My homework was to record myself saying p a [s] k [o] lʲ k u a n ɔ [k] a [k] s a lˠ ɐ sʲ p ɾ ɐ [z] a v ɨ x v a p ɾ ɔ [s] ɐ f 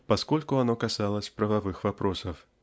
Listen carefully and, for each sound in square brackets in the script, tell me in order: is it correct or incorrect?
correct, incorrect: ɔ, correct, incorrect: none, incorrect: v, correct

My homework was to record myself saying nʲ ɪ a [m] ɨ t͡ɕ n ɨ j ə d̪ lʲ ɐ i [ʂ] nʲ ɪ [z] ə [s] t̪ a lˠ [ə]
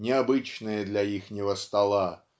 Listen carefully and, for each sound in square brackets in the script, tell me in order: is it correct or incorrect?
incorrect: b, incorrect: x, incorrect: v, correct, incorrect: a

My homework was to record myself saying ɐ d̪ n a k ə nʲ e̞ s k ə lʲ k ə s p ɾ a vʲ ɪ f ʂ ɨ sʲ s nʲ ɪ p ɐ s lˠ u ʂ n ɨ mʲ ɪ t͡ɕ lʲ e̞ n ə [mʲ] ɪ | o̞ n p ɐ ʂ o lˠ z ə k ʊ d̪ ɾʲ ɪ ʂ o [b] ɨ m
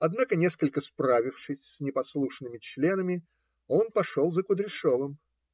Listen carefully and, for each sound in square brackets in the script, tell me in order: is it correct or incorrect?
correct, incorrect: v

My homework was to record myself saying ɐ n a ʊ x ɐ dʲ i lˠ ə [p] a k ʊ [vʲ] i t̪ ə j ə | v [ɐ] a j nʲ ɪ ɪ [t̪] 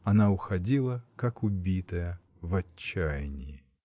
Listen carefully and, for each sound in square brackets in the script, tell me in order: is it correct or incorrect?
incorrect: k, incorrect: bʲ, incorrect: ɐː, incorrect: none

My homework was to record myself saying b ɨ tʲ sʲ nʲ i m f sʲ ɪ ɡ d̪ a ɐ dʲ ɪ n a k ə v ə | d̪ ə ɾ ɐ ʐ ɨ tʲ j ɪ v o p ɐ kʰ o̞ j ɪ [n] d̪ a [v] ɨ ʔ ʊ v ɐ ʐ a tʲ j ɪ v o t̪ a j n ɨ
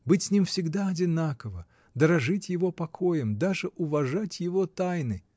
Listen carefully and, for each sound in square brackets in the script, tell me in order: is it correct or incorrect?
incorrect: m, incorrect: ʐ

